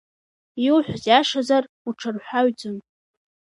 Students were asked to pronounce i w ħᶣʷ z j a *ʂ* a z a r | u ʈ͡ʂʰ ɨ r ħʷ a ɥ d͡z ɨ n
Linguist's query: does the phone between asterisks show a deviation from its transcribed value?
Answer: no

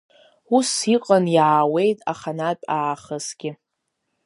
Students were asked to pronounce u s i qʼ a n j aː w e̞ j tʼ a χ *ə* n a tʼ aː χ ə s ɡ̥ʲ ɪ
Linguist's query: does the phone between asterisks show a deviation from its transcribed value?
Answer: yes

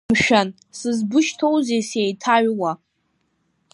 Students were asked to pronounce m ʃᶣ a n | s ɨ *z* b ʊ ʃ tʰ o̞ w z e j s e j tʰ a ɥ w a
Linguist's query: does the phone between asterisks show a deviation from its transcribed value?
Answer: no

